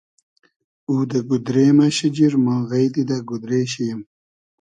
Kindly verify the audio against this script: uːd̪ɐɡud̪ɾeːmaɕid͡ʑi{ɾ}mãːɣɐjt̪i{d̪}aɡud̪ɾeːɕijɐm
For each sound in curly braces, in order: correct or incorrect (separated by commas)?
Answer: correct, correct